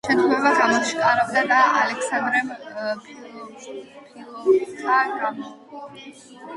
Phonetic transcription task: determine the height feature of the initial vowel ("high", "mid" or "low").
mid